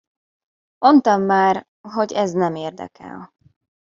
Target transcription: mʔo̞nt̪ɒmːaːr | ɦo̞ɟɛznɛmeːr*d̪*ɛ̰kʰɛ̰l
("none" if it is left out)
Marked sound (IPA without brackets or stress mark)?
d̪